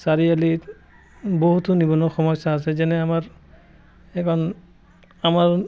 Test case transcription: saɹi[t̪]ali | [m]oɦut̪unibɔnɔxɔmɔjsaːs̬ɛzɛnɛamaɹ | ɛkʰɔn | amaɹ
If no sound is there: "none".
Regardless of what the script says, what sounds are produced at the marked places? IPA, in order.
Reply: none, b

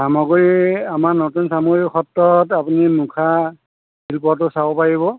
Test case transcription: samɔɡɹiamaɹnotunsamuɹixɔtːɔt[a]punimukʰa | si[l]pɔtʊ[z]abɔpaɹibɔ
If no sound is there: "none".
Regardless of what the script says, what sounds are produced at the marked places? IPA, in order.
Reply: a, l, s

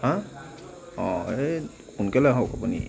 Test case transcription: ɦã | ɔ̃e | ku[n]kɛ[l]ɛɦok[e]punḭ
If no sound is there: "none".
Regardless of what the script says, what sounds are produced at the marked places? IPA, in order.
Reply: n, l, a

